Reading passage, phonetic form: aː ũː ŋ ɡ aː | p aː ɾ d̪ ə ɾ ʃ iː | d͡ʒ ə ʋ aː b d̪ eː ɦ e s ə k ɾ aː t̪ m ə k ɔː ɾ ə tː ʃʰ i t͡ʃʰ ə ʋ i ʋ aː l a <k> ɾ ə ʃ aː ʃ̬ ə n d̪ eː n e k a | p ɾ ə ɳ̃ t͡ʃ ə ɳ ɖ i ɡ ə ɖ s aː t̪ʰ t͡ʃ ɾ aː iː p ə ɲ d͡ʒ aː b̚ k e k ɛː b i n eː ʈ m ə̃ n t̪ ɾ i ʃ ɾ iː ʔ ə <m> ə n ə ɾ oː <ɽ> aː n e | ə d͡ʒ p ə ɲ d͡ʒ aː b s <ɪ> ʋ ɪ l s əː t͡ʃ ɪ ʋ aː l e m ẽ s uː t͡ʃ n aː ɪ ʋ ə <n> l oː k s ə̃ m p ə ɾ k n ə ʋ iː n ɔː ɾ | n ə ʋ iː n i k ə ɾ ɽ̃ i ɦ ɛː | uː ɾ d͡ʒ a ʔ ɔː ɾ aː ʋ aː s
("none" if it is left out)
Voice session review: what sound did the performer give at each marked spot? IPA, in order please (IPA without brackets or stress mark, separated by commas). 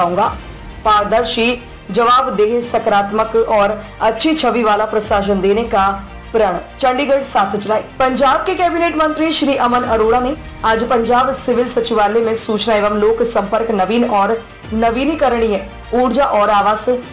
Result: p, m, ɽ, ɪ, m